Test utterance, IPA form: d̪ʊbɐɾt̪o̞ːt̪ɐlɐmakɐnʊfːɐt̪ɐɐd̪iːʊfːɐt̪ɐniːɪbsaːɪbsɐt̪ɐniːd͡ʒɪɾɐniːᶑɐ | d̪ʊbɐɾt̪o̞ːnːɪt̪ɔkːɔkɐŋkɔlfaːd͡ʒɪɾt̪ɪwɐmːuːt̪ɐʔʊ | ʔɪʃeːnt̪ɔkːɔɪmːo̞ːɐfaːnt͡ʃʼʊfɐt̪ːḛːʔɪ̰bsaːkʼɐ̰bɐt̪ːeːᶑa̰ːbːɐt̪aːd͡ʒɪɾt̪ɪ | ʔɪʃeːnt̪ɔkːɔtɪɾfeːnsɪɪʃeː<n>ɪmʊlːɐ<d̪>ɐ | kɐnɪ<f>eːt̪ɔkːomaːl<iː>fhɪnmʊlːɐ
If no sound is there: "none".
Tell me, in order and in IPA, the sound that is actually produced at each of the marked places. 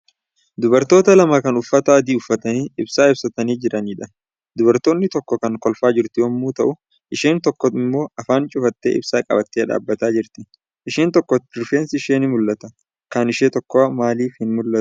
n, t̪, ʃ, iː

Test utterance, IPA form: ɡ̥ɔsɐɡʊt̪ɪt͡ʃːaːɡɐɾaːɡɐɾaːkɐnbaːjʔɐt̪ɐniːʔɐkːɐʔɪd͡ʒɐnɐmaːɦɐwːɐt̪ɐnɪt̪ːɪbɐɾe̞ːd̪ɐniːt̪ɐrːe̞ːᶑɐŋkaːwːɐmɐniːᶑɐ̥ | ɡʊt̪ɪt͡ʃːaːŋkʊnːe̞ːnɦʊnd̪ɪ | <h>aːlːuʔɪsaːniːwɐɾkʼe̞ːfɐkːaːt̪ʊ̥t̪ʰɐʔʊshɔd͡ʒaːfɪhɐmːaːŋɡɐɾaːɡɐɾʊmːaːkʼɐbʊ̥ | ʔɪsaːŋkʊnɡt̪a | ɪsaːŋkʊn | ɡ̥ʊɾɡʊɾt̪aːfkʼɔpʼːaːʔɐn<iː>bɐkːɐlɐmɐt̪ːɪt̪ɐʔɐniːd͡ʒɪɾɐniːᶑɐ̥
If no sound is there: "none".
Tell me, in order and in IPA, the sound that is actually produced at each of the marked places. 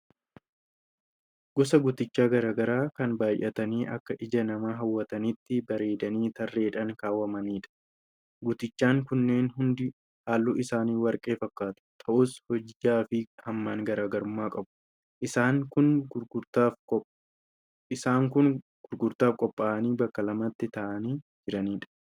h, iː

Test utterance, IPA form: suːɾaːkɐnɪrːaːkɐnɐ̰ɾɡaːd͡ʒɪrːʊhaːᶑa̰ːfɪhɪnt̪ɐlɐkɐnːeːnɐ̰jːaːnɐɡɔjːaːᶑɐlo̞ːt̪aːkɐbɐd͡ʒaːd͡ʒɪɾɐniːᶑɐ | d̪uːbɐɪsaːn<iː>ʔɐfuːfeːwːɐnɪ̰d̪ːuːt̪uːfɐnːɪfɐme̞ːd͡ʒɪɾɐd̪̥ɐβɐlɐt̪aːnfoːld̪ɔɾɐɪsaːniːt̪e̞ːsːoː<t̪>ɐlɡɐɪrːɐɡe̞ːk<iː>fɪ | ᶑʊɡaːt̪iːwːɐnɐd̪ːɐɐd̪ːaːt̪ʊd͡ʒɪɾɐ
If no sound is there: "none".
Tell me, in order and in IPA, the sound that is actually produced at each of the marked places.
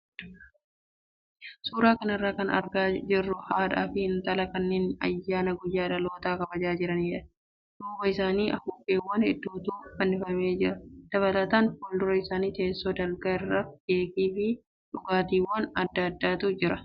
iː, d̪, iː

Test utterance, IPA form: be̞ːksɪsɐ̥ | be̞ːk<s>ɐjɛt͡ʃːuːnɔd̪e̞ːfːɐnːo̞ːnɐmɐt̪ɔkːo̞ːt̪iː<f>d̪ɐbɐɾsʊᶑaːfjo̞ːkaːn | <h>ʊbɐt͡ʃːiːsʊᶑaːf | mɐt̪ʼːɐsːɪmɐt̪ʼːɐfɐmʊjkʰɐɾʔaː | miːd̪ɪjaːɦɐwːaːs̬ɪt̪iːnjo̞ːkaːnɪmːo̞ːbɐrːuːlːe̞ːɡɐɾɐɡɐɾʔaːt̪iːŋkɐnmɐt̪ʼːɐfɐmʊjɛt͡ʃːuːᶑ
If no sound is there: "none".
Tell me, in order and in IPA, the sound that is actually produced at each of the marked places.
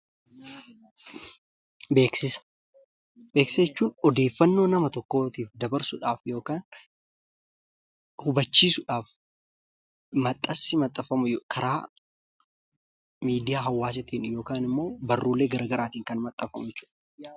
s, f, h

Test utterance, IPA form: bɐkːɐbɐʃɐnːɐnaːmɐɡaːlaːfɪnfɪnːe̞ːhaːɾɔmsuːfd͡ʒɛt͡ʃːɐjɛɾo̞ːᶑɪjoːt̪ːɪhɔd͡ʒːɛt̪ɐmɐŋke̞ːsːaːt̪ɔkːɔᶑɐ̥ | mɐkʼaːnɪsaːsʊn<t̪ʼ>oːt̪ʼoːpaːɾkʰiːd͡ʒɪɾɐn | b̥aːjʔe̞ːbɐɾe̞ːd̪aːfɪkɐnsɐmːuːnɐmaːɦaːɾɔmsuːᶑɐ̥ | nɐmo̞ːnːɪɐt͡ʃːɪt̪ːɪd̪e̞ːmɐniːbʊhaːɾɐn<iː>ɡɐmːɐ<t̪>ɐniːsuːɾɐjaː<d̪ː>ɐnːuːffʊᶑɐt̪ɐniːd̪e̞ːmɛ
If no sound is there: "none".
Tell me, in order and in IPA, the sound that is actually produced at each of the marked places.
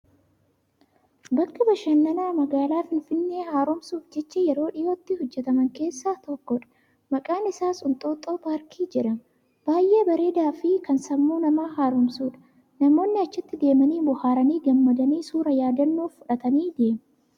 t̪ʼ, iː, d̪, d̪

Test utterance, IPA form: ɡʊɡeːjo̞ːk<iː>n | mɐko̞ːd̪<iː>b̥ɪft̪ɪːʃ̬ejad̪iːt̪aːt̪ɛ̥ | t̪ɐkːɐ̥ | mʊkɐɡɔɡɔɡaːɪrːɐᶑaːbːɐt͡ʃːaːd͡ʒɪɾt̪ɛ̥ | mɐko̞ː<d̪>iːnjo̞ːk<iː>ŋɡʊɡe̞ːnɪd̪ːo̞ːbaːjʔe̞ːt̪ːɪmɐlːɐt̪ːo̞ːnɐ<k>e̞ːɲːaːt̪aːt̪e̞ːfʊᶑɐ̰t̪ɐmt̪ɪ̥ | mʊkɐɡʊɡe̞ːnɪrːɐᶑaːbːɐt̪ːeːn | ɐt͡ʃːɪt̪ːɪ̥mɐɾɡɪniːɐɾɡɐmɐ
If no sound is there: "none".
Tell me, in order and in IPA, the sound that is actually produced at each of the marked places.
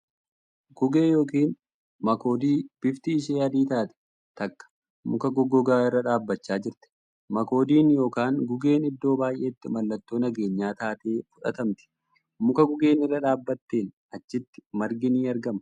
iː, iː, d̪, aː, ɡ

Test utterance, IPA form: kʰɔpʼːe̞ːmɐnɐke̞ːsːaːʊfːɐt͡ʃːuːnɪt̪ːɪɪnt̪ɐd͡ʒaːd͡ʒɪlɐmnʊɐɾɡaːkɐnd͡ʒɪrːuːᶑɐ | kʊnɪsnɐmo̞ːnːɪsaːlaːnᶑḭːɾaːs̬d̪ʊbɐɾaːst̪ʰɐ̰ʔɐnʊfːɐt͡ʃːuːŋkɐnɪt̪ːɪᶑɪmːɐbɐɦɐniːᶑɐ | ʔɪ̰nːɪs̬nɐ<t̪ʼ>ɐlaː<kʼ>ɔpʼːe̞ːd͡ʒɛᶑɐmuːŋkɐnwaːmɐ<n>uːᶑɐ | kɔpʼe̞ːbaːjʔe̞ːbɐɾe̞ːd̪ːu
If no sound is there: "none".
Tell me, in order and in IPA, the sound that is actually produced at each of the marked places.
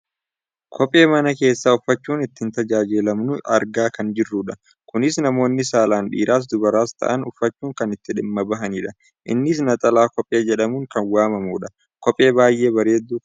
t̪ʼ, k, m

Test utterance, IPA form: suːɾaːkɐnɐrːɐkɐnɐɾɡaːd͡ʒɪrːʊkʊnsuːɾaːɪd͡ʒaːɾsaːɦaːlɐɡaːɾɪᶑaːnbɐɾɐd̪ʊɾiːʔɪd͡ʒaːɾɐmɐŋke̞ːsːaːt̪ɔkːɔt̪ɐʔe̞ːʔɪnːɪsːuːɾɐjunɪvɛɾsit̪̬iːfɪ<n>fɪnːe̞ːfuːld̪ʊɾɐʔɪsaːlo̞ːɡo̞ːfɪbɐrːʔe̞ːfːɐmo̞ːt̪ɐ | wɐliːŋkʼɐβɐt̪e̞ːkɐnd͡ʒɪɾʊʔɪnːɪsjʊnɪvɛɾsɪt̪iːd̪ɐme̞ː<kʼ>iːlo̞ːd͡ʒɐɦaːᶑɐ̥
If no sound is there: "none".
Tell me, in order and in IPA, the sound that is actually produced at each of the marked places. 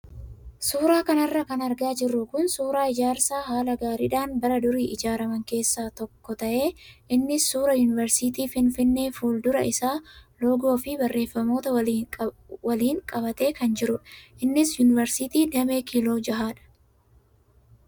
n, k

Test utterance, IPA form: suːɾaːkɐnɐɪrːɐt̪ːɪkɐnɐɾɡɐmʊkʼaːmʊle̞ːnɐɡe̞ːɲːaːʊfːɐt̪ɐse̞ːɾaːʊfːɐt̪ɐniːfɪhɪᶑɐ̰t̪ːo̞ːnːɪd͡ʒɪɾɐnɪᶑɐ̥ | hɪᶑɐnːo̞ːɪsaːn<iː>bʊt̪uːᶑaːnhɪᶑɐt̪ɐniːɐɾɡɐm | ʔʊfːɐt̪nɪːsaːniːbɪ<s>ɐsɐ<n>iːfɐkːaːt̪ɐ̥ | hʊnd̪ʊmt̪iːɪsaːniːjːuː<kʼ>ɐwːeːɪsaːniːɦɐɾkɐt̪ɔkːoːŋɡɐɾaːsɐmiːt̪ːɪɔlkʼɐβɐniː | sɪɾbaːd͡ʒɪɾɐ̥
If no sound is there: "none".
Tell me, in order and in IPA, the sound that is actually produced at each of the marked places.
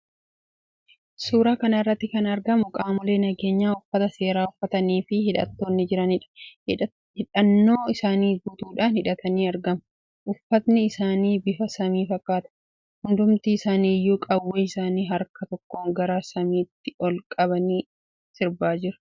iː, f, m, kʼ

